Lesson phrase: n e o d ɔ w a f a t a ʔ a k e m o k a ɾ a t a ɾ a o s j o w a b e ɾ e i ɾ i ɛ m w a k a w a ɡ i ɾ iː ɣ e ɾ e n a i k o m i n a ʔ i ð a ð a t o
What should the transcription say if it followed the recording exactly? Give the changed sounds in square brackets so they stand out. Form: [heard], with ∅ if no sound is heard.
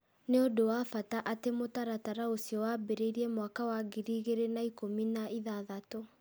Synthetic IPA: n e o d [o] w a f a t a ʔ a [t] e m o [t] a ɾ a t a ɾ a o s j [ɔ] w a b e ɾ e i ɾ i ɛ m w a k a w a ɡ i ɾ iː ɣ e ɾ e n a i k o m i n a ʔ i ð a ð a t o